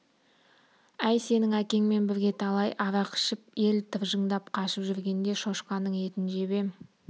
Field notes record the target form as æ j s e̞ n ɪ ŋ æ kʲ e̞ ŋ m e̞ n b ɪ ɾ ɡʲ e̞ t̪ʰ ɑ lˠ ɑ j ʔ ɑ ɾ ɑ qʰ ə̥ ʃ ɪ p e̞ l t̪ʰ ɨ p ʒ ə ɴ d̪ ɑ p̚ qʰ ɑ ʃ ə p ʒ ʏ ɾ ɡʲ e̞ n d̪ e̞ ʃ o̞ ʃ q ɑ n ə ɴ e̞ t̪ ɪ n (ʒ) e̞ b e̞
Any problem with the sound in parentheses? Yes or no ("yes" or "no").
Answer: no